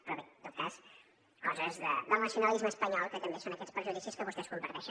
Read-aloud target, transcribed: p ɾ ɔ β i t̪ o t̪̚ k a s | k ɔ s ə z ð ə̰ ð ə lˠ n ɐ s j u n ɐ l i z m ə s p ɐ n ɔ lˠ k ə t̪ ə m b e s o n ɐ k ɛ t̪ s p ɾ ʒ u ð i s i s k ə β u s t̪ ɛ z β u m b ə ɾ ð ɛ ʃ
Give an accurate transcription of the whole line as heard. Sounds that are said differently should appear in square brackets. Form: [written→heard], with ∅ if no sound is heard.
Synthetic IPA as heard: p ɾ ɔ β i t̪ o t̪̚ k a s | k ɔ [s→z] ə z ð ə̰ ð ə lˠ n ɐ s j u n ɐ l i z m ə s p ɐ [n→ɲ] ɔ lˠ k ə t̪ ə m b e s o n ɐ k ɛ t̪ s p ɾ ʒ u ð i s i s k ə β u s t̪ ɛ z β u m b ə ɾ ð ɛ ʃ